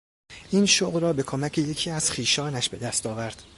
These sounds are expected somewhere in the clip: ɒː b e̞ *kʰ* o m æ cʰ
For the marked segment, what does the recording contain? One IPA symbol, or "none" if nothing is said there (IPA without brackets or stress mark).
kʰ